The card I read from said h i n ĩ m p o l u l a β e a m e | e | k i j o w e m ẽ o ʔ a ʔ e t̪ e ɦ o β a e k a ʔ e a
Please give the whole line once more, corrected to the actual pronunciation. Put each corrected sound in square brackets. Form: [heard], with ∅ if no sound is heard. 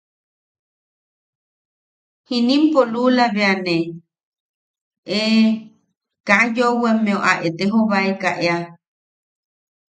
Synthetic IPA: h i n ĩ m p o l u l a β e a [n] e | e | k [a] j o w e m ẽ o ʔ a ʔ e t̪ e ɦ o β a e k a ʔ e a